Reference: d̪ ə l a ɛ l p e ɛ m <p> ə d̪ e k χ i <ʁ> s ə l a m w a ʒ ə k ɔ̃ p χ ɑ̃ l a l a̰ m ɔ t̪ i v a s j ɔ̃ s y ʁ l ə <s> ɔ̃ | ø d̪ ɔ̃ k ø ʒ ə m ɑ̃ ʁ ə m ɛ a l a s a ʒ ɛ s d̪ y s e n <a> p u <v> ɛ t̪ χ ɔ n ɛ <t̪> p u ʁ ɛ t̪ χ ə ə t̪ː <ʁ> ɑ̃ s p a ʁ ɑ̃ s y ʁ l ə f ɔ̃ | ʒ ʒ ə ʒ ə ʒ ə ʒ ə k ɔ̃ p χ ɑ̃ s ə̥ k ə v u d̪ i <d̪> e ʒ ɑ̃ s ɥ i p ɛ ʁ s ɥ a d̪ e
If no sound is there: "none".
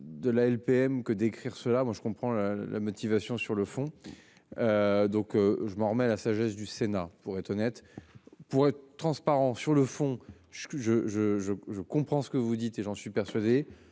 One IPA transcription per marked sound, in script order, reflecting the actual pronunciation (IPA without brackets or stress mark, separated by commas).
k, ʁ, f, a, ʁ, t̪, χ, t̪